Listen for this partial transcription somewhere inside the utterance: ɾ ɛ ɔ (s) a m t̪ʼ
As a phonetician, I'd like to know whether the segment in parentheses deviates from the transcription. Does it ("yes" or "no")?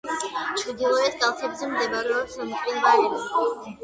no